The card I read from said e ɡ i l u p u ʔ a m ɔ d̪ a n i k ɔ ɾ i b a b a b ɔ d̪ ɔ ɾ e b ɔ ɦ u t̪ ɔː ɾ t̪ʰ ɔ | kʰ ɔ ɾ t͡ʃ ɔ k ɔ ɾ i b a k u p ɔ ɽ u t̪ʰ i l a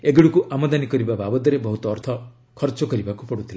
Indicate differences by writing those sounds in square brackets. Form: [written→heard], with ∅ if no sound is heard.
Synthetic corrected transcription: e ɡ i [l→ɽ] u [p→k] u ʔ a m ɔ d̪ a n i k ɔ ɾ i b a b a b ɔ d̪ ɔ ɾ e b ɔ ɦ u t̪ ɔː ɾ t̪ʰ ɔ | kʰ ɔ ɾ t͡ʃ ɔ k ɔ ɾ i b a k u p ɔ ɽ u t̪ʰ i l a